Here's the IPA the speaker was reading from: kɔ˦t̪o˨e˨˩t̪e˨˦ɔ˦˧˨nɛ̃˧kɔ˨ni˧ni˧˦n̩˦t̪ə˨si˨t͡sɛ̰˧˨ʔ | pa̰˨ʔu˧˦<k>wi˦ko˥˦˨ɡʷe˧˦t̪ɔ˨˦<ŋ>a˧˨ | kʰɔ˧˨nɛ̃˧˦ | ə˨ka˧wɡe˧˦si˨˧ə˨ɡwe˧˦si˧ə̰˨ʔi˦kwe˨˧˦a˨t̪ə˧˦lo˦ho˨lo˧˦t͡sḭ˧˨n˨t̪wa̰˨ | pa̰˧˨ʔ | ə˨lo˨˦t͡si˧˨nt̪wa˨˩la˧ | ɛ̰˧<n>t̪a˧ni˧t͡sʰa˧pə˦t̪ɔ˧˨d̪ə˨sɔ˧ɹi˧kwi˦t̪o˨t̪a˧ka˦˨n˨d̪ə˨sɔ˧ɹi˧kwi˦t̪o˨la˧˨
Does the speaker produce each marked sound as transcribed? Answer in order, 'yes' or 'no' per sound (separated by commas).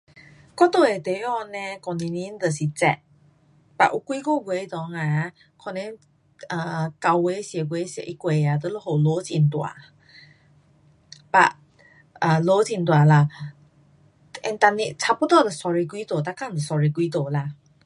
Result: yes, yes, yes